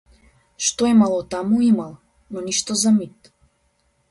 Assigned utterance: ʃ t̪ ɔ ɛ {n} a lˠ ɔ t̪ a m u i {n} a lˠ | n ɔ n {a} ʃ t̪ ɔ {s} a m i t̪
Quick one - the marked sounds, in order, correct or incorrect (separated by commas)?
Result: incorrect, incorrect, incorrect, incorrect